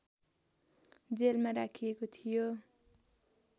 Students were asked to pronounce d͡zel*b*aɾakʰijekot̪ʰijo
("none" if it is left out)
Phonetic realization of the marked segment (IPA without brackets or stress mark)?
m